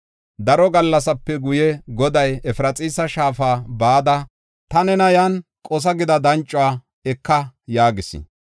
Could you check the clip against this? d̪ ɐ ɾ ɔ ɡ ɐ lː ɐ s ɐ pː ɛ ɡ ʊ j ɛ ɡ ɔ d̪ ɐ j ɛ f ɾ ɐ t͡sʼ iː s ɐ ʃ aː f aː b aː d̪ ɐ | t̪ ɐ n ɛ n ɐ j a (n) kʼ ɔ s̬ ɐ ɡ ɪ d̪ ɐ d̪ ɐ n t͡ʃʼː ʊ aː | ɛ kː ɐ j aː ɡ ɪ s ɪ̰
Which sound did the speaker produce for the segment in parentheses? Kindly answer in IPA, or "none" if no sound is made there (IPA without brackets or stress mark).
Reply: n